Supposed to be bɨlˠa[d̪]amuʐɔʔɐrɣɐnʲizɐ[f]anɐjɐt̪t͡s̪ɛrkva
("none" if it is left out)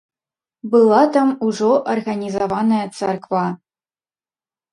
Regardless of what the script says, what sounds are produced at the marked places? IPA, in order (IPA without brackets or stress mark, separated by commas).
t̪, v